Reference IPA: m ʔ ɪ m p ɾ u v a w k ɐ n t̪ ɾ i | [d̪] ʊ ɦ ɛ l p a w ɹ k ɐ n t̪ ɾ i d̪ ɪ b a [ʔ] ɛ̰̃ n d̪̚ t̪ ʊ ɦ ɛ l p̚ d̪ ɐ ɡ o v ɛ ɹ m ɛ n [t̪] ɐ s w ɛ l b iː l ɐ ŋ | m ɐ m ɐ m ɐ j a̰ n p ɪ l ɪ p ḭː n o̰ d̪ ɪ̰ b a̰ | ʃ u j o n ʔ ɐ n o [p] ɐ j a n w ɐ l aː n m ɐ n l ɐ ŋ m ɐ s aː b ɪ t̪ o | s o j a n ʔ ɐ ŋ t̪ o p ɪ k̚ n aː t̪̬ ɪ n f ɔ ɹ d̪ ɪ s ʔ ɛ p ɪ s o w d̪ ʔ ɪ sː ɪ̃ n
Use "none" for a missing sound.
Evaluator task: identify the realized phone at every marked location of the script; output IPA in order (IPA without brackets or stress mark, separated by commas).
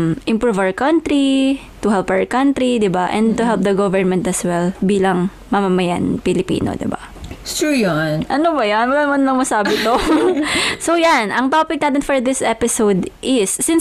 t̪, ʔ, t̪, b